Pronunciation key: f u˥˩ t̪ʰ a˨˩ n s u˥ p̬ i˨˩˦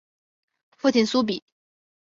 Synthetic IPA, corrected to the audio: f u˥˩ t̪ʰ i˨˩ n s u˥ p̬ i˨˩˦